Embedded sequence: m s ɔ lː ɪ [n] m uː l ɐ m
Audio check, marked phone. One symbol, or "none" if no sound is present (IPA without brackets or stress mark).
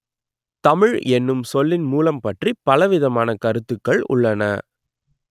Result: n